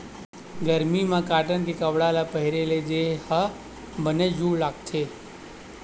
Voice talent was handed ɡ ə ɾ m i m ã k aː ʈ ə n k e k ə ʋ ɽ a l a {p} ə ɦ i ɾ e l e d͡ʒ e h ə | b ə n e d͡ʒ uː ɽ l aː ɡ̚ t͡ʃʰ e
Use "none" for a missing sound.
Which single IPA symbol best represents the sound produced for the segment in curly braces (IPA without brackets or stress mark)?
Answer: p